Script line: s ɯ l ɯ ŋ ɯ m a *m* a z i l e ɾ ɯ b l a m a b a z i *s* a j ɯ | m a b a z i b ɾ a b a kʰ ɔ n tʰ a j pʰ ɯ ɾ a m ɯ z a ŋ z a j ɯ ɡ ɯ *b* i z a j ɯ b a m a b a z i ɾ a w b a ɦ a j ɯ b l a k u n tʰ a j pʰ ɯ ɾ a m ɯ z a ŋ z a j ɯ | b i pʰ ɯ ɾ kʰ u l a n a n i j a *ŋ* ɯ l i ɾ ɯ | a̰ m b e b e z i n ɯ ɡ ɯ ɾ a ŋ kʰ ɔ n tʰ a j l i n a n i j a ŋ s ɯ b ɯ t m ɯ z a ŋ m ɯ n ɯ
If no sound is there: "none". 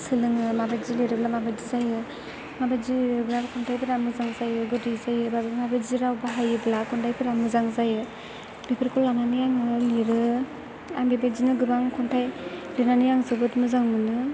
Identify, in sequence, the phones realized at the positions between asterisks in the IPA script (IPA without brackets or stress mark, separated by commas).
b, z, d, ŋ